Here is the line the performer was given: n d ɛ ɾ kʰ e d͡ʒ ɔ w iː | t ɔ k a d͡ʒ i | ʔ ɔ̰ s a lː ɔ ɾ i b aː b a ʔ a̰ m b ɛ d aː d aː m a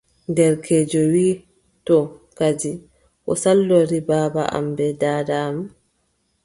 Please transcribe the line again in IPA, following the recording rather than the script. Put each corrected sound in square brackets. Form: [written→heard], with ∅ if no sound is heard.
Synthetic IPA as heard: n d ɛ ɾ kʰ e d͡ʒ ɔ w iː | t ɔ k a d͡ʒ i | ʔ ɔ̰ s a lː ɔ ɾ i b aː b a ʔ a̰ m b ɛ d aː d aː m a